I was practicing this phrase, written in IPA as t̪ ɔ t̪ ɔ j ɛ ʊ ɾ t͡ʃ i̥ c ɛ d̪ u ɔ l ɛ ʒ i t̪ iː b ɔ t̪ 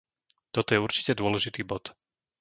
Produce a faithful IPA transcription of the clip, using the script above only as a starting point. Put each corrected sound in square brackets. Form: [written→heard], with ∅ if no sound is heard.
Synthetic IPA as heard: t̪ ɔ t̪ ɔ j ɛ [ʊ→u] ɾ t͡ʃ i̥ c ɛ d̪ [u→ʊ] ɔ l ɛ ʒ i t̪ iː b ɔ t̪